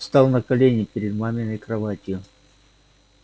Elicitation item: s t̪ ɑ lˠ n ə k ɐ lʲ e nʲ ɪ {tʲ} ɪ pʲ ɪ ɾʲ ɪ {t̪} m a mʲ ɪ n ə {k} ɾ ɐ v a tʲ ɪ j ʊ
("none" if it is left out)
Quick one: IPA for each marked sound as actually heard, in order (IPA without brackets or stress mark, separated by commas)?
none, d̪, k